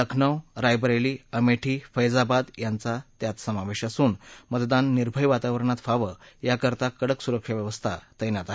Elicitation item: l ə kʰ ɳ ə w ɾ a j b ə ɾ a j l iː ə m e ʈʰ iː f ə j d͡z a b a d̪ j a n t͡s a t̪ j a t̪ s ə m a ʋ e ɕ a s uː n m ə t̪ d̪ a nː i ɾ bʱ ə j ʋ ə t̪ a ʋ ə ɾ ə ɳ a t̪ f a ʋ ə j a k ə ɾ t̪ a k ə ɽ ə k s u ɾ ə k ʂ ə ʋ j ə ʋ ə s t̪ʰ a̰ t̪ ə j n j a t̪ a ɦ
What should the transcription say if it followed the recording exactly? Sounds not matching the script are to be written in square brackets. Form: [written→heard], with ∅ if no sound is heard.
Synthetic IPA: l ə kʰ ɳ ə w ɾ a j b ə ɾ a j l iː ə m e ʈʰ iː f ə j d͡z a b a d̪ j a n t͡s a t̪ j a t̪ s ə m a ʋ e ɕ a s uː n m ə t̪ d̪ a nː i ɾ bʱ ə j ʋ [ə→a] t̪ a ʋ ə ɾ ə ɳ a t̪ f a ʋ ə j a k ə ɾ t̪ a k ə ɽ ə k s u ɾ ə k ʂ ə ʋ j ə ʋ ə s t̪ʰ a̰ t̪ ə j n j a t̪ a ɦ

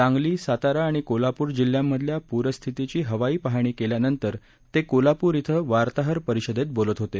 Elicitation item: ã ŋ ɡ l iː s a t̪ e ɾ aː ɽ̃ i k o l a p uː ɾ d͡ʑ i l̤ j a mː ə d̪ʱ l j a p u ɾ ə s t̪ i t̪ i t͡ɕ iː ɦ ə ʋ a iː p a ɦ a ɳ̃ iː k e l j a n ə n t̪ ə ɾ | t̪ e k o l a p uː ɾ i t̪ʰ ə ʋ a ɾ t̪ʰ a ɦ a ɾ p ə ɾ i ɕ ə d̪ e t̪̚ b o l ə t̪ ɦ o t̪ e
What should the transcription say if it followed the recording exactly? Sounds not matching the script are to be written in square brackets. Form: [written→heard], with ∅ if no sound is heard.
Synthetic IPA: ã ŋ ɡ l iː s a t̪ [e→a] ɾ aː ɽ̃ i k o l a p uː ɾ d͡ʑ i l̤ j a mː ə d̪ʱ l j a p u ɾ ə s [t̪→t̪ʰ] i t̪ i t͡ɕ iː ɦ ə ʋ a iː p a ɦ a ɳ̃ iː k e l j a n ə n t̪ ə ɾ | t̪ e k o l a p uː ɾ i t̪ʰ ə ʋ a ɾ [t̪ʰ→t̪] a ɦ [a→ə] ɾ p ə ɾ i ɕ ə d̪ e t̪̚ b o l ə t̪ ɦ o t̪ e

